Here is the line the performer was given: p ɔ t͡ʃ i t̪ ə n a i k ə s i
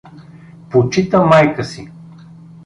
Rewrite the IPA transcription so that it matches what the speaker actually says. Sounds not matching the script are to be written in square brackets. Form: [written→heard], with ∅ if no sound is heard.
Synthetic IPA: p [ɔ→o] t͡ʃ i t̪ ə [n→m] a [i→j] k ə s i